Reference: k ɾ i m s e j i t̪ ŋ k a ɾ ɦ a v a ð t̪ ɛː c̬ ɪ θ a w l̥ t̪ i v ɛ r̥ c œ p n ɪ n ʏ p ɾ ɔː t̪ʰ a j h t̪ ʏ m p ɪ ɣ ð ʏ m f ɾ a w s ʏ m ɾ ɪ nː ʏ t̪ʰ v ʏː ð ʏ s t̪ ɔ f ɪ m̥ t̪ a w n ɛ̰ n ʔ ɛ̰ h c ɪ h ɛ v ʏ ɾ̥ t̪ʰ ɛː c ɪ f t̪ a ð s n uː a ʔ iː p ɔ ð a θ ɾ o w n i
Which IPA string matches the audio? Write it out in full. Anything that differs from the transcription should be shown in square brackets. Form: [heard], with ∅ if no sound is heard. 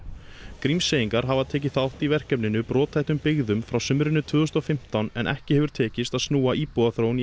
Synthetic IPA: k ɾ i m s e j i [∅] ŋ k a ɾ ɦ a v a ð [t̪ʰ] ɛː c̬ ɪ θ a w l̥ t̪ i v ɛ r̥ c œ p n ɪ n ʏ p ɾ ɔː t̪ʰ a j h t̪ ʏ m p ɪ ɣ ð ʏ m f ɾ a w s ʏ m ɾ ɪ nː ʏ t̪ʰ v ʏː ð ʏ s t̪ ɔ f ɪ m̥ t̪ a w n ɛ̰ n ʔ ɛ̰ h c ɪ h ɛ v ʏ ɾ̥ t̪ʰ ɛː c ɪ [s] t̪ a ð s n uː a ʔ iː p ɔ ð a θ ɾ o w n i